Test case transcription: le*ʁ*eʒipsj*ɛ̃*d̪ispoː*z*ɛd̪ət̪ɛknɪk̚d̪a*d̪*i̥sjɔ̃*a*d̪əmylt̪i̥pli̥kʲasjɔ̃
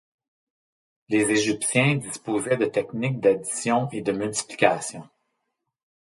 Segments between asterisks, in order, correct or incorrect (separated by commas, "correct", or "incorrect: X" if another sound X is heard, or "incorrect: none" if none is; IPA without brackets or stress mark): incorrect: z, correct, correct, correct, incorrect: e